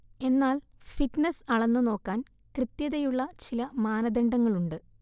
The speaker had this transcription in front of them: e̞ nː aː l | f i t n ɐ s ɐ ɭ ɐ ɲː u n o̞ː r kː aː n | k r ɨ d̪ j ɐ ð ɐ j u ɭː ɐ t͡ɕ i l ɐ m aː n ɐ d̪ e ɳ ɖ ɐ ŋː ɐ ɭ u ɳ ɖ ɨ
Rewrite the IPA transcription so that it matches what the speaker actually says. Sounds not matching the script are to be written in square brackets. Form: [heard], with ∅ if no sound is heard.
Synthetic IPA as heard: e̞ nː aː l | f i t n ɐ s ɐ ɭ ɐ [nː] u n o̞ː [∅] kː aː n | k r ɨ [t̪] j ɐ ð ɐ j u ɭː ɐ t͡ɕ i l ɐ m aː n ɐ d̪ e ɳ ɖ ɐ ŋː ɐ ɭ u ɳ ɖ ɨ